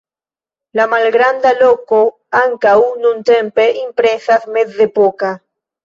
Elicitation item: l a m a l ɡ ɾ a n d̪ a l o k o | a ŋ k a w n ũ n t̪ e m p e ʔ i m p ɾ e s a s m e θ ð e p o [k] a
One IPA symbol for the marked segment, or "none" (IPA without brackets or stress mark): k